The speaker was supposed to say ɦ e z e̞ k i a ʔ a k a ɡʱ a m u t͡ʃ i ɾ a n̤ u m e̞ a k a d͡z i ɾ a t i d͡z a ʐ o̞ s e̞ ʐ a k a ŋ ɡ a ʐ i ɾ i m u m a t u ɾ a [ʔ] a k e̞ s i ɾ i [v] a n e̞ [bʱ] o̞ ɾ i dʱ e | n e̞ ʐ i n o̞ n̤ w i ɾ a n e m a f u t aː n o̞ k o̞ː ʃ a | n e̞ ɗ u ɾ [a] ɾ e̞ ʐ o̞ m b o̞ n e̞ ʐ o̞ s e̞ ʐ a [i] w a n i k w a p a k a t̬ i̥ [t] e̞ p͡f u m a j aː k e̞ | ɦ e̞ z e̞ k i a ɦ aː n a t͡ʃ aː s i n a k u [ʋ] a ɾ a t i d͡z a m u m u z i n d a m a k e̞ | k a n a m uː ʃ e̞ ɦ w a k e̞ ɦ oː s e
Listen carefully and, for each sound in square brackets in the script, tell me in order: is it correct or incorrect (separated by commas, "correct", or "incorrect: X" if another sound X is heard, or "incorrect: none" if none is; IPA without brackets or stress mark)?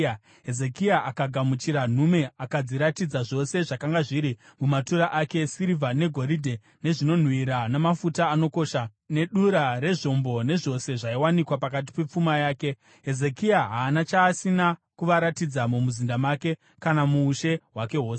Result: correct, correct, incorrect: ɡʱ, correct, correct, incorrect: p, correct